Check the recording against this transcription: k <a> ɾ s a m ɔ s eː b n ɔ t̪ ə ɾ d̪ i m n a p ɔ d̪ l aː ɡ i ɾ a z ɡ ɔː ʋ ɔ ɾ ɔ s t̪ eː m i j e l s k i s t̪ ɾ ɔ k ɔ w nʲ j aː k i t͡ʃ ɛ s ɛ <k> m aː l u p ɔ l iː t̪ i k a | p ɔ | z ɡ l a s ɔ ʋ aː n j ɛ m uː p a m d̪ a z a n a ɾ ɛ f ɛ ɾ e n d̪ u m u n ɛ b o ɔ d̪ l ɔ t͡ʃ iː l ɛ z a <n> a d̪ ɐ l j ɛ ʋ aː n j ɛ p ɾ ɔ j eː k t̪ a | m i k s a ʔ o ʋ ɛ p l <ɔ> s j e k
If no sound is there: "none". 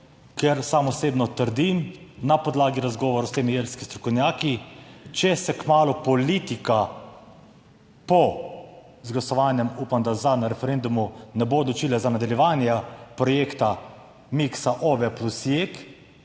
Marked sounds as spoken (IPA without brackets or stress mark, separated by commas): ɛ, k, n, u